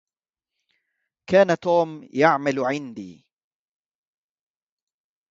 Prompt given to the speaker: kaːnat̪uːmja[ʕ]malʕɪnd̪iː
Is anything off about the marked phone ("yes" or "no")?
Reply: no